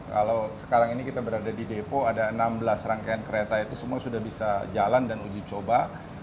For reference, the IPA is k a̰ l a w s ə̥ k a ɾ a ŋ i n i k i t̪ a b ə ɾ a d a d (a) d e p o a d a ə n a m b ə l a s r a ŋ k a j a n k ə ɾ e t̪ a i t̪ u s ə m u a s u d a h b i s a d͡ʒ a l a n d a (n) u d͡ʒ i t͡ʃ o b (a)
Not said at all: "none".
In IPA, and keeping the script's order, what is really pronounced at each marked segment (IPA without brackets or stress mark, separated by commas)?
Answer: i, n, a